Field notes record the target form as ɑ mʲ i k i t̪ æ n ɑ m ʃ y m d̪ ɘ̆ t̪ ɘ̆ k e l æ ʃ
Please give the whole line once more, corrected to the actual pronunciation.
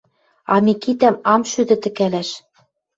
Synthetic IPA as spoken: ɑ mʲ i k i t̪ æ m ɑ m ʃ y d̪ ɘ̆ t̪ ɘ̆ k æ l æ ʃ

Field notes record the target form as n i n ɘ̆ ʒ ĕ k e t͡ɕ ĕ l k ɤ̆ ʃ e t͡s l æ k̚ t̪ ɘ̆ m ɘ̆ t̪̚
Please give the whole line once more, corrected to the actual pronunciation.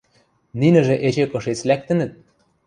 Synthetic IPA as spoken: n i n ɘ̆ ʒ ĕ ʔ e t͡ɕ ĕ k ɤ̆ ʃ e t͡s l æ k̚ t̪ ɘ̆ n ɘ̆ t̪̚

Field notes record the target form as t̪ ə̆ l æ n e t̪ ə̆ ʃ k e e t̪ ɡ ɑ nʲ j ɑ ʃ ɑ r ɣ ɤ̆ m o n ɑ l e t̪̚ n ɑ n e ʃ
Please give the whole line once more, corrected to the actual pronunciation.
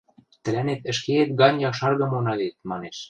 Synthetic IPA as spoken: t̪ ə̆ l æ n e t̪ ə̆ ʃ k e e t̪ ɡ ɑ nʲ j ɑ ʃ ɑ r ɣ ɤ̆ m o n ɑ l e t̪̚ m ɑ n e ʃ

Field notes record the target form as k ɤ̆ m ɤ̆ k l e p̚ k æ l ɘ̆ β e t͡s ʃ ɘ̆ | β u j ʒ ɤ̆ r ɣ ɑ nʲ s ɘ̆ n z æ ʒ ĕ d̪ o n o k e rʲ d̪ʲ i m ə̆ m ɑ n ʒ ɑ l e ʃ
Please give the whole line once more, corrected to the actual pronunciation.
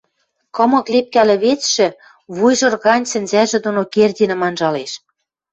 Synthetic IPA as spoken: k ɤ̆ m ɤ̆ k l e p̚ k æ l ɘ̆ β e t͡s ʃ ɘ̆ | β u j ʒ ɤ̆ r ɣ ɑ nʲ s ɘ̆ n z æ ʒ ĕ d̪ o n o k e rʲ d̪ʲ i n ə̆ m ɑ n ʒ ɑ l e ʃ

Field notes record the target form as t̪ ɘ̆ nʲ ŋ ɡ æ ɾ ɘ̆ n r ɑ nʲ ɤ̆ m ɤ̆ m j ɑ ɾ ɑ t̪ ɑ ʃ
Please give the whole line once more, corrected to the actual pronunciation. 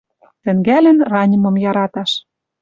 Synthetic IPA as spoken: t̪ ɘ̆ ŋ ɡ æ l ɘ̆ n r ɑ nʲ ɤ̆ m ɤ̆ m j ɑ ɾ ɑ t̪ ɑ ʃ

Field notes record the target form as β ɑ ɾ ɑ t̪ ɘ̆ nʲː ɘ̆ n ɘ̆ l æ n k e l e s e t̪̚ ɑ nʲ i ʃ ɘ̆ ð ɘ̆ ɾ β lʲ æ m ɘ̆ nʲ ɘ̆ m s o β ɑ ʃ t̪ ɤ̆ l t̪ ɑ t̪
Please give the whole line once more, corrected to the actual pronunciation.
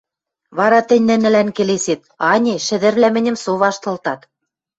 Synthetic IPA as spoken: β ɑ ɾ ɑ t̪ ɘ̆ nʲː ɘ̆ n ɘ̆ l æ n k e l e s e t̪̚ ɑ nʲ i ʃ ɘ̆ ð ɘ̆ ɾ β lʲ æ m ɘ̆ nʲ ɘ̆ m s o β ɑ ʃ t̪ ɤ̆ l t̪ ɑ t̪

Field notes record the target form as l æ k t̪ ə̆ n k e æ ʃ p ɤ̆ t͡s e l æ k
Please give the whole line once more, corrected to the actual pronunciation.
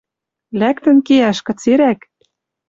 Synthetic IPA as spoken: l æ k t̪ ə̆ n k e æ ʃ k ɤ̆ t͡s e ɾ æ k

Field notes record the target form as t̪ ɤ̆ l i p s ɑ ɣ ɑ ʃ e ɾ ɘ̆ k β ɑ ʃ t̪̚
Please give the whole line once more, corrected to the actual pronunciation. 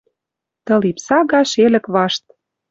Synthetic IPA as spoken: t̪ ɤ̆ l i p s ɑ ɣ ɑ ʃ e l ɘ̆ k β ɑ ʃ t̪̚

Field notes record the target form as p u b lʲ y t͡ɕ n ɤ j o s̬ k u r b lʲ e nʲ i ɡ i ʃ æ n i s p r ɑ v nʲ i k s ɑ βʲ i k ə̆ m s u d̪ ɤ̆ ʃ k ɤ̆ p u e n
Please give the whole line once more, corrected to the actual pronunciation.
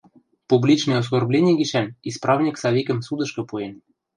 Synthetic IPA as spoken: p u b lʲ i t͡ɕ n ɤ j o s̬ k o r b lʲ e nʲ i ɡ i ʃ æ n i s p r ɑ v nʲ i k s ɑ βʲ i k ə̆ m s u d̪ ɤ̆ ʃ k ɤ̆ p u e n

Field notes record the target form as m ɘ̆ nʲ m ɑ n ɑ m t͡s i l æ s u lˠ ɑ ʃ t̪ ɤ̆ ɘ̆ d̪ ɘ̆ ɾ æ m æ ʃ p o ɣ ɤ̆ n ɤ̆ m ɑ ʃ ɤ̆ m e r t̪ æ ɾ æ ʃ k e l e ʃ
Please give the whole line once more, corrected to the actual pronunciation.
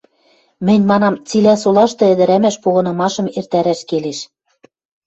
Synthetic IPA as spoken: m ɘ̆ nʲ m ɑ n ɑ m t͡s i l æ s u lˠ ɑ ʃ t̪ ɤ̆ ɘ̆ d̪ ɘ̆ ɾ æ m æ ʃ p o ɣ ɤ̆ n ɤ̆ m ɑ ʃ ɤ̆ m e r t̪ æ ɾ æ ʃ k e l e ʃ

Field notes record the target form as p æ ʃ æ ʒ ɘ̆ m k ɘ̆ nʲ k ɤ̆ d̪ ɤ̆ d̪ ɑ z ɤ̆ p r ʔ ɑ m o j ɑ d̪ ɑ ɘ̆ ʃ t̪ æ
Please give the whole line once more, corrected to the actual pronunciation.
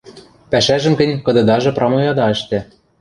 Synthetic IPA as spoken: p æ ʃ æ ʒ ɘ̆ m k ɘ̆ nʲ k ɤ̆ d̪ ɤ̆ d̪ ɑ ʒ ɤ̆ p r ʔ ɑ m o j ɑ d̪ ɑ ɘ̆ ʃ t̪ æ

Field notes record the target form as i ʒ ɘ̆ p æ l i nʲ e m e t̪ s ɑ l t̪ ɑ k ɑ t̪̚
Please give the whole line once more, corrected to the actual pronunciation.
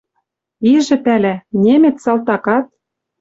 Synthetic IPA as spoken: i ʒ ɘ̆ p æ l æ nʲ e m e t̪ s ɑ l t̪ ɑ k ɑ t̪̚

